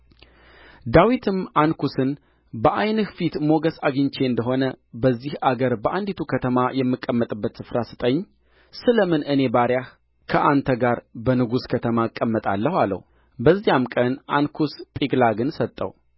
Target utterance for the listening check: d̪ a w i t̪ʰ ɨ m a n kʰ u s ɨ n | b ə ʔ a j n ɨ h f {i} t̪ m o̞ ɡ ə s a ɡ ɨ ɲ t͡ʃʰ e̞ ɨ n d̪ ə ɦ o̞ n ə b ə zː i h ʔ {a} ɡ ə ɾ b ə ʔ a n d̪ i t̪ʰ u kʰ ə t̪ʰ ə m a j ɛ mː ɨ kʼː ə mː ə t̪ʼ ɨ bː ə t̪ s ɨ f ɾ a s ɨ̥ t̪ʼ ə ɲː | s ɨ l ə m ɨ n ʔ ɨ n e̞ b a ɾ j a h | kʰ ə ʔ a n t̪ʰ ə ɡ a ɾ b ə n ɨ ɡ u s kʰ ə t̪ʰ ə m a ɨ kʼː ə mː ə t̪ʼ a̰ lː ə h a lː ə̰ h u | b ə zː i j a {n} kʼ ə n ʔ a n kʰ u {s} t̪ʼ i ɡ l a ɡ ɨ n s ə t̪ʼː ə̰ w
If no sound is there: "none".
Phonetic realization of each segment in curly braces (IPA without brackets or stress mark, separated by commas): i, a, m, s